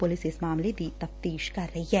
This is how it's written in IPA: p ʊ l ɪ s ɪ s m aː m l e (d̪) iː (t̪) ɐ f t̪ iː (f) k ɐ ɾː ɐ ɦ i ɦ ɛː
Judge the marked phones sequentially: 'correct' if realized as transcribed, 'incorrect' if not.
correct, correct, incorrect: ʃ

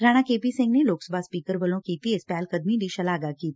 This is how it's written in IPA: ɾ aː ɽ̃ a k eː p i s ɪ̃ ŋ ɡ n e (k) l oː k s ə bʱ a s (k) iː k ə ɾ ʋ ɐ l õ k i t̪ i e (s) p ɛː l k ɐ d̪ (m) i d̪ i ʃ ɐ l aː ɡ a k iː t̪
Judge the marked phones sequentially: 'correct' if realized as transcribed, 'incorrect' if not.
incorrect: none, incorrect: p, correct, correct

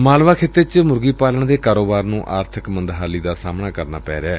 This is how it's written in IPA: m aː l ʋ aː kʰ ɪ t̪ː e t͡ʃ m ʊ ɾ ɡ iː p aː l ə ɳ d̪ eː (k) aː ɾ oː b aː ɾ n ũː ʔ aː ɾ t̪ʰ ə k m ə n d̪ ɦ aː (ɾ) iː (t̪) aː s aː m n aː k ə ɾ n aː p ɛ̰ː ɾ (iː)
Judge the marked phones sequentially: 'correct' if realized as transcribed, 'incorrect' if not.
correct, incorrect: l, incorrect: d̪, incorrect: ɛː

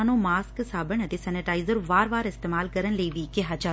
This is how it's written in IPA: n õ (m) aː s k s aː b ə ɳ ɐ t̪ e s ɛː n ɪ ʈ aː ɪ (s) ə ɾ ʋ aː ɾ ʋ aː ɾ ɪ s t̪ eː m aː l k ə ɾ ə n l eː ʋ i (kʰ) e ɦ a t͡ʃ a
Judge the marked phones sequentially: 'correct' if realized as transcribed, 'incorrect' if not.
correct, incorrect: z, incorrect: k

